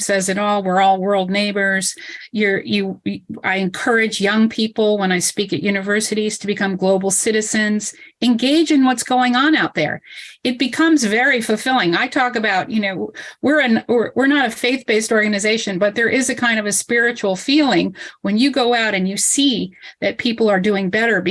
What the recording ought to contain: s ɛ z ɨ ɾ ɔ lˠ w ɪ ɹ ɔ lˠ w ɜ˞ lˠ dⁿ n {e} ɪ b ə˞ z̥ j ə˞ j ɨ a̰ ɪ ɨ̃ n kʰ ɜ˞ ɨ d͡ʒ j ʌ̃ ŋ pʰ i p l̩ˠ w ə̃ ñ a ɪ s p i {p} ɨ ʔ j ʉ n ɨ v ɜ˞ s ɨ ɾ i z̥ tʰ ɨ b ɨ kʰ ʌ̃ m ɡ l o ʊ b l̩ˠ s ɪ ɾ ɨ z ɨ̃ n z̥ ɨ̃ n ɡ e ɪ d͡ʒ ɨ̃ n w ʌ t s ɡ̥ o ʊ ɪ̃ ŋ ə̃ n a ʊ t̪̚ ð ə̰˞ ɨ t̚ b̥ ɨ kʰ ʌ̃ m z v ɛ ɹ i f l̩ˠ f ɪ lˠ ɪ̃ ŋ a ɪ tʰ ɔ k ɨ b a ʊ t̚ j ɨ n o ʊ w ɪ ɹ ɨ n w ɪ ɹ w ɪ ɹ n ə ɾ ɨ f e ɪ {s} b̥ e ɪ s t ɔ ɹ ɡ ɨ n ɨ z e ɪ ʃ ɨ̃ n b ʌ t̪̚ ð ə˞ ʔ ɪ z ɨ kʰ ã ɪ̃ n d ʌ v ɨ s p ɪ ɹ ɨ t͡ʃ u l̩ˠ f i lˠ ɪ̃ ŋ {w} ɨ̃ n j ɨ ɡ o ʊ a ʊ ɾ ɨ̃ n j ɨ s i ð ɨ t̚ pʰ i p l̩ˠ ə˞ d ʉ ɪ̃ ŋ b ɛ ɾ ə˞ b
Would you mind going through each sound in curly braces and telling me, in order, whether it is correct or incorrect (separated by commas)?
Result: correct, incorrect, incorrect, correct